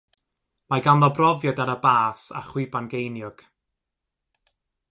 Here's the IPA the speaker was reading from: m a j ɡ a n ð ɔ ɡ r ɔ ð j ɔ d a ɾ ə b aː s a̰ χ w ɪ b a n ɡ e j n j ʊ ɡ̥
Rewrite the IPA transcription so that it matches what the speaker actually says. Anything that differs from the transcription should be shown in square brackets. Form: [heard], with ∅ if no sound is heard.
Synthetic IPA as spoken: m a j ɡ a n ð ɔ [b] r ɔ [v] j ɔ d a ɾ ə b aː s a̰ χ w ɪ b a n ɡ e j n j ʊ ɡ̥